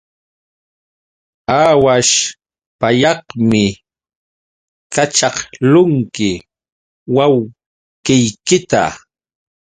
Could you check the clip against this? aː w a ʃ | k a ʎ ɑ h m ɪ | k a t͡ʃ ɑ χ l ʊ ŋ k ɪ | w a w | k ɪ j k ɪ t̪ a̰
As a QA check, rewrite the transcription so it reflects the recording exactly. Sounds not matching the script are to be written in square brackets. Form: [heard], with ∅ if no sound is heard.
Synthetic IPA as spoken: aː w a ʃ | [p] a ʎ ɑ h m ɪ | k a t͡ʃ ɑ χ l ʊ ŋ k ɪ | w a w | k ɪ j k ɪ t̪ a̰